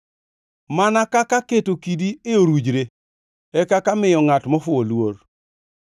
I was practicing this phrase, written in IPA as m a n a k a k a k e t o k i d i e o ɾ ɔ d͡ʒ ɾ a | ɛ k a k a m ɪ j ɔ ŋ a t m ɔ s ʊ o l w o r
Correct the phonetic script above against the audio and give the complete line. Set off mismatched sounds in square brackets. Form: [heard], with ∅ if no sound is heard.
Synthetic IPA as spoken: m a n a k a k a k e t o k i d i e o ɾ [u] d͡ʒ ɾ [e] | ɛ k a k a m ɪ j ɔ ŋ a t m ɔ [f] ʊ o l w o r